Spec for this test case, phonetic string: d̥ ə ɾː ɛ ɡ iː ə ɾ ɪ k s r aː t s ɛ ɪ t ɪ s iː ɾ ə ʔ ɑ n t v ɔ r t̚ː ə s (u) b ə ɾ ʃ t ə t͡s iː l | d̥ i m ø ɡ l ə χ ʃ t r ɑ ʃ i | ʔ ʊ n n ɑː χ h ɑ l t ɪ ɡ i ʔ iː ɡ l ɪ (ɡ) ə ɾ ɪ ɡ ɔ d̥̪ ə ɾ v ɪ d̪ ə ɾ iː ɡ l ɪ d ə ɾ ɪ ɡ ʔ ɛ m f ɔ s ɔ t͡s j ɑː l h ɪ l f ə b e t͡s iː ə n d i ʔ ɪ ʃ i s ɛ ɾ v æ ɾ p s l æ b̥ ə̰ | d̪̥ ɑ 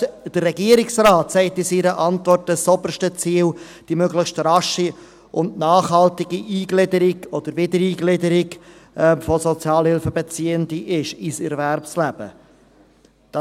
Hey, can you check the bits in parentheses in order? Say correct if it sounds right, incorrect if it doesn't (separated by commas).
incorrect, incorrect